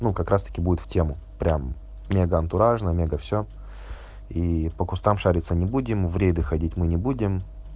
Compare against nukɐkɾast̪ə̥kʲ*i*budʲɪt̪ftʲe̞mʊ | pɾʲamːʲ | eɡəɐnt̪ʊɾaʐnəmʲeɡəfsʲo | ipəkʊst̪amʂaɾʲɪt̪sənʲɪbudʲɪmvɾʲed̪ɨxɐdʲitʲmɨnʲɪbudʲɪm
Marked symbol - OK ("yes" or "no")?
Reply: no